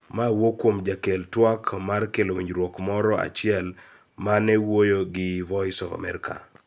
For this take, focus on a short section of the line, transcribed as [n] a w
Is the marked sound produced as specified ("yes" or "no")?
no